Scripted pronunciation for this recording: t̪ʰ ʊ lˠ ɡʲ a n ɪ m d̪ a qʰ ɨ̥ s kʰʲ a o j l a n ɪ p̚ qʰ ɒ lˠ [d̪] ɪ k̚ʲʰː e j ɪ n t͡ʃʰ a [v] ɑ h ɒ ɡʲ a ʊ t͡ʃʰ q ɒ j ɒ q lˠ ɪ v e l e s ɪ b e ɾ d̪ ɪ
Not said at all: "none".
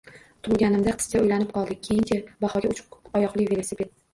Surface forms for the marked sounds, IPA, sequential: d̪, b

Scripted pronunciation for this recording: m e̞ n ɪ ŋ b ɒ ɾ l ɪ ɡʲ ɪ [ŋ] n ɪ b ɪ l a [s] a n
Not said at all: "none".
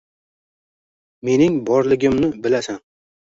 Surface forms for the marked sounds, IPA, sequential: m, s

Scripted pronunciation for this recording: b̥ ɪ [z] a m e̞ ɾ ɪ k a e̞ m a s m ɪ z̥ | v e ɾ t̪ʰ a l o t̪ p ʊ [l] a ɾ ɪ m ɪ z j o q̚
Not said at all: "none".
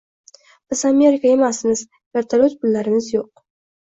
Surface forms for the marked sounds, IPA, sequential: z, lː

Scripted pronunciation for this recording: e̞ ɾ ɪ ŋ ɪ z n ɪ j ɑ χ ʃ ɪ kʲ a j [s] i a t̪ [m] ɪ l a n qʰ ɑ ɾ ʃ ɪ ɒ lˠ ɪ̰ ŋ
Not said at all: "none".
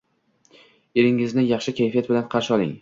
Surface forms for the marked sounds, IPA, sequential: f, b

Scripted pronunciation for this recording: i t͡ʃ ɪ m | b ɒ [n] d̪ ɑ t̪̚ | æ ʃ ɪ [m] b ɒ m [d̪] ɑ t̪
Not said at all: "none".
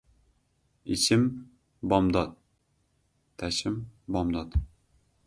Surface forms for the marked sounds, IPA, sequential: m, m, d̪

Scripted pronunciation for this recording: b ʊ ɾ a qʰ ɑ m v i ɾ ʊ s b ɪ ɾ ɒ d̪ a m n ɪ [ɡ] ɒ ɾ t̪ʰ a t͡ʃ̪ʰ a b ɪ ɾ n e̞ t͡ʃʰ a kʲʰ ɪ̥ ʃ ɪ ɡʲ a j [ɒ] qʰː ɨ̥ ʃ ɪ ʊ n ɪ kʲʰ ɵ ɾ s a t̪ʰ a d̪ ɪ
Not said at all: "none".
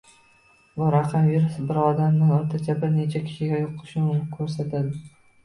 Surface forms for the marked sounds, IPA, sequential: ŋ, o

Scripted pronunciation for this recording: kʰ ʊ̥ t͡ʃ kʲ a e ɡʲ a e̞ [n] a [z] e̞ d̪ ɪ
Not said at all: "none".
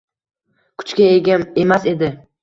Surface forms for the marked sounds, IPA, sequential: m, s

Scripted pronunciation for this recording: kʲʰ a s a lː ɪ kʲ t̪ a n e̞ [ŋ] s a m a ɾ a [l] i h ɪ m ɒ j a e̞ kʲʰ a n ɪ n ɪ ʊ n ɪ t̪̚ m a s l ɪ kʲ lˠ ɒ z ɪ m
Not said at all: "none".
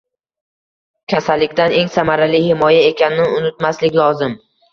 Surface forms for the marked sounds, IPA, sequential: ŋ, l

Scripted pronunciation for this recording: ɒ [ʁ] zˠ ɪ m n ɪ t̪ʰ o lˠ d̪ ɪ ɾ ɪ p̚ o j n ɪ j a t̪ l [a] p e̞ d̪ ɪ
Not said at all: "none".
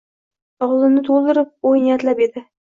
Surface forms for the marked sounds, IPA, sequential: ʁ, a

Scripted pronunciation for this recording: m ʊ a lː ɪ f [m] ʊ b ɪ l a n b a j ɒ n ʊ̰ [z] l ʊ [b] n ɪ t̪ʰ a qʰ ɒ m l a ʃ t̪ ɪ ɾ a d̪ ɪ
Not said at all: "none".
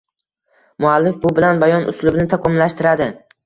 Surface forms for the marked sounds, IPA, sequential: b, s, b

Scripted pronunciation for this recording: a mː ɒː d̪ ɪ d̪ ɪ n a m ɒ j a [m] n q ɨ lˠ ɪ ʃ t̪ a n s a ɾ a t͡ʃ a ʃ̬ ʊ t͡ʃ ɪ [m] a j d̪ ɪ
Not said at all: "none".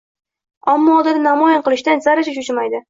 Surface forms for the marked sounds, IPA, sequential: none, m

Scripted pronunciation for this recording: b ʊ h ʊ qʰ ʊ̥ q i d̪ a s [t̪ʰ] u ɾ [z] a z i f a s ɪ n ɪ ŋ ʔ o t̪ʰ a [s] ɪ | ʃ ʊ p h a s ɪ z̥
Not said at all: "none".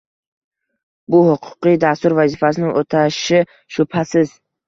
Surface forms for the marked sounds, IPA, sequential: t̪, v, ʃ

